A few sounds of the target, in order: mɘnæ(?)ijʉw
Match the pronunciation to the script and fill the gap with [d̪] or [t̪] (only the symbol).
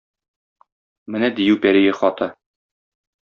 d̪